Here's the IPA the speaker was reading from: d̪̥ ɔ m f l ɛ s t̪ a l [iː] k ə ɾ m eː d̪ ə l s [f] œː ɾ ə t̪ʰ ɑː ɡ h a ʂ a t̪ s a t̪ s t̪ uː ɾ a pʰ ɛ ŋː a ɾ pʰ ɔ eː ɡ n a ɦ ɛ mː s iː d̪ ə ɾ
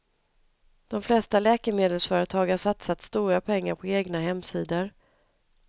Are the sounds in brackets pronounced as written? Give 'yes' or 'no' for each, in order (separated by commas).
no, yes